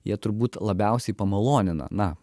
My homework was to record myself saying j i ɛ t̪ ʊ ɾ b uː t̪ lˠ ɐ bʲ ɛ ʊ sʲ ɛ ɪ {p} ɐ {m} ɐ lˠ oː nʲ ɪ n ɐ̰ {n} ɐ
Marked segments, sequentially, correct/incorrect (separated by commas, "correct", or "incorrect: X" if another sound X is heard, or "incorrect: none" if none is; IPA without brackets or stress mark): correct, correct, correct